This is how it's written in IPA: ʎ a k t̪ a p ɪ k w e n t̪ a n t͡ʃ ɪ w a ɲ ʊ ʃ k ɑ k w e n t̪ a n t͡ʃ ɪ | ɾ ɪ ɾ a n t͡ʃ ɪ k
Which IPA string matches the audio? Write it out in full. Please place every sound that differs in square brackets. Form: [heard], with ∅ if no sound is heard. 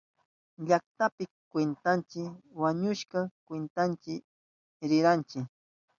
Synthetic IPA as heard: ʎ a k t̪ a p ɪ k w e n t̪ a n t͡ʃ ɪ w a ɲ ʊ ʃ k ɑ k w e n t̪ a n t͡ʃ ɪ | ɾ ɪ ɾ a n t͡ʃ ɪ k